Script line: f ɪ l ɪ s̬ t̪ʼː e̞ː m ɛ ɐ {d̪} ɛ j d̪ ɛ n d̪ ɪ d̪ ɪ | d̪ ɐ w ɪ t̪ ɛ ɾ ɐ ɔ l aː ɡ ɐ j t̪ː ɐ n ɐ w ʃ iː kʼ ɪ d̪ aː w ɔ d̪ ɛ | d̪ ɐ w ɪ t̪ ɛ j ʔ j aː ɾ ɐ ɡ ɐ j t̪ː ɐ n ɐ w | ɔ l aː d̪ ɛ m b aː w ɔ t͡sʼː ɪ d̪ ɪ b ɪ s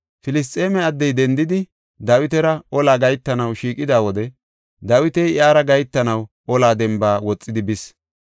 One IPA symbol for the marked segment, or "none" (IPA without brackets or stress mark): d̪ː